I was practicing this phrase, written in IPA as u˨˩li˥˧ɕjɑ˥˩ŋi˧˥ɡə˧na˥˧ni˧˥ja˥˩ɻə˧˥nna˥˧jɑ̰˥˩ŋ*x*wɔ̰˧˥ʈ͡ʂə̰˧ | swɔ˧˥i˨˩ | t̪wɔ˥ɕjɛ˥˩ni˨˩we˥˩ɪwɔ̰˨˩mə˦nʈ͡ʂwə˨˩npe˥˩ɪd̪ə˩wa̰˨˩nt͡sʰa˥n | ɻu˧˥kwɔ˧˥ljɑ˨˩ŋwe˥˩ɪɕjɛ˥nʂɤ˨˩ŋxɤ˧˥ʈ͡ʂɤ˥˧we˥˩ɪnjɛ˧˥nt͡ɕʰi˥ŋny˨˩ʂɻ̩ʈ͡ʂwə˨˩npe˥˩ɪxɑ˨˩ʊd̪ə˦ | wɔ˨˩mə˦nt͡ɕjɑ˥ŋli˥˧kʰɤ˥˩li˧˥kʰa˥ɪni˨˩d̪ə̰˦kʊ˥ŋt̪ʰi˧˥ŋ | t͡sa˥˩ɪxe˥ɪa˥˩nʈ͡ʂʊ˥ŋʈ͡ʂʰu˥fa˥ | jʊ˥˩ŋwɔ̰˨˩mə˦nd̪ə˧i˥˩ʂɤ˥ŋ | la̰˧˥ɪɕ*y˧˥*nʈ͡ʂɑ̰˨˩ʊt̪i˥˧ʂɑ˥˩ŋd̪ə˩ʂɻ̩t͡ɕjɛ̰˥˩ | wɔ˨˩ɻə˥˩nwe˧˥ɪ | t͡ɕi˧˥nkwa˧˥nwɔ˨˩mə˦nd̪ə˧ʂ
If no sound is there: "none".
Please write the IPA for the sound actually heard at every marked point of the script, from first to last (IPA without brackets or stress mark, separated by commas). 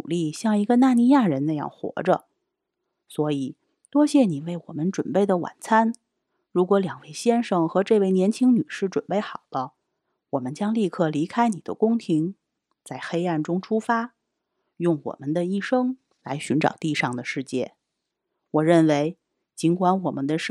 x, y˧˥